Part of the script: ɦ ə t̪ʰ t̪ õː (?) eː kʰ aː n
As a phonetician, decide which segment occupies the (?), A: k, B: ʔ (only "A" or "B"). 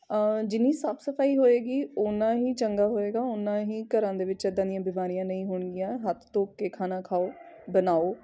A